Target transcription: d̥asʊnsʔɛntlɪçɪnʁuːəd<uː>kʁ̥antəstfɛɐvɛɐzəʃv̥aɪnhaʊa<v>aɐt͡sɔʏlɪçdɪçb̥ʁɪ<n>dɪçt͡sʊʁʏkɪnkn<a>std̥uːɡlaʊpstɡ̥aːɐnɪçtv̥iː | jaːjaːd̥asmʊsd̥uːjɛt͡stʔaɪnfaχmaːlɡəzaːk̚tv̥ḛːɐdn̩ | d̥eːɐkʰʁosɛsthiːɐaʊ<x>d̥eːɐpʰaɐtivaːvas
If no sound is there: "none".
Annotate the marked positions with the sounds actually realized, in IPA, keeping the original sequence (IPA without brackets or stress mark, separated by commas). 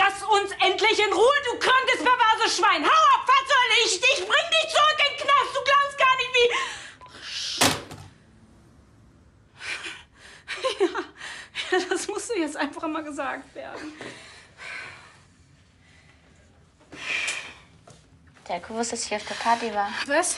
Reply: uː, f, ŋ, a, f